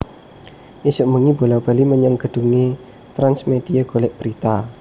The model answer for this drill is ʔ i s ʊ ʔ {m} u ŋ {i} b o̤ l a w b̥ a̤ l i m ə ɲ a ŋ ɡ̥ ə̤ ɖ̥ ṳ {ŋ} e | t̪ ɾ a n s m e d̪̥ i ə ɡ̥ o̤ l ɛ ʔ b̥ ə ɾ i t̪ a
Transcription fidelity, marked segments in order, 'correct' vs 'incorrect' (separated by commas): correct, correct, correct